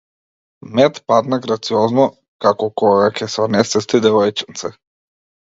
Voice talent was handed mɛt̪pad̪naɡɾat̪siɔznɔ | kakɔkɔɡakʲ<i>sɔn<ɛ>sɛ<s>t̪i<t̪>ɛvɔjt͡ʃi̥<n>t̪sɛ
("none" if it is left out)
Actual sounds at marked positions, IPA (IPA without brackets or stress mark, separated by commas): ɛ, ɛ, s, d̪, n